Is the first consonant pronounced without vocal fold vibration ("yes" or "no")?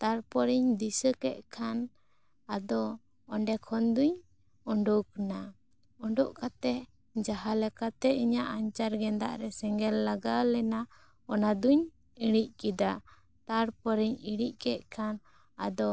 yes